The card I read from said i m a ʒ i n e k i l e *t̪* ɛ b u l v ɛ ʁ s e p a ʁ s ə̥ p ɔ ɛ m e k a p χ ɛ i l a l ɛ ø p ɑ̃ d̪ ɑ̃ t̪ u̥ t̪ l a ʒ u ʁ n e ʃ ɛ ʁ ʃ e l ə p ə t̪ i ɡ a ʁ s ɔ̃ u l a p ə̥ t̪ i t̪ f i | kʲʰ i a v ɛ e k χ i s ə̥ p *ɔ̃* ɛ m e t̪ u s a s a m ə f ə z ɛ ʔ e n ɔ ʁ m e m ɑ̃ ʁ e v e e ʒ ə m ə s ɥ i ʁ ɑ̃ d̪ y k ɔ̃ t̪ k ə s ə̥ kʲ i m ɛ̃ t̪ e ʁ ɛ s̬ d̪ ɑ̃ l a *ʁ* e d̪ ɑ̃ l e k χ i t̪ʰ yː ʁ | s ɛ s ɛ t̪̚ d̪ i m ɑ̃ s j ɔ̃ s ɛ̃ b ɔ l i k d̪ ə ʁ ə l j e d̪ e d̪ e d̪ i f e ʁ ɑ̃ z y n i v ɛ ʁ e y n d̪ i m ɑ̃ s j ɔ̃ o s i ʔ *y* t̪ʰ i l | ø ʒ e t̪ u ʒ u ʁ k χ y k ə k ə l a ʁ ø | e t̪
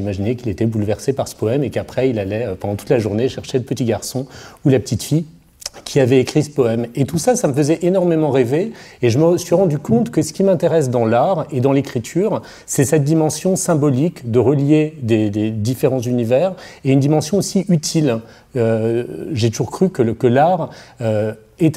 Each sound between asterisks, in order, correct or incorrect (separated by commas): correct, incorrect, correct, correct